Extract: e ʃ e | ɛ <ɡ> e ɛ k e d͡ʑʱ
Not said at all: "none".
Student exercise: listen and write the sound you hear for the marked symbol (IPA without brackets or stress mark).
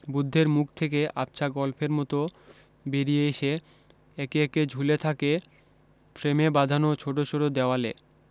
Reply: k